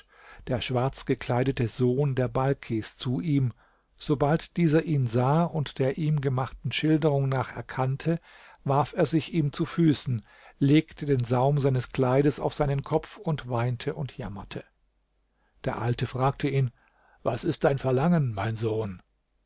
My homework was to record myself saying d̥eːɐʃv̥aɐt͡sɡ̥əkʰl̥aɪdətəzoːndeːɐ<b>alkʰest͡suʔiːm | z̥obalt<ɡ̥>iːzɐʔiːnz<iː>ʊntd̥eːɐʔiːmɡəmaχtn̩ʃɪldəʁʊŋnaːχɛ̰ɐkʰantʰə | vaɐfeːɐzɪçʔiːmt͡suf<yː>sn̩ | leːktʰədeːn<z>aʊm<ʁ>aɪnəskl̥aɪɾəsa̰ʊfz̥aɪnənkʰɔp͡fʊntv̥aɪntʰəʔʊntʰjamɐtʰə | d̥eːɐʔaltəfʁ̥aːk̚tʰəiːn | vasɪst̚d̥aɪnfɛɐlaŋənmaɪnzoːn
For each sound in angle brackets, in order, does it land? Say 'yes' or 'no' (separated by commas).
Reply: yes, no, no, yes, yes, no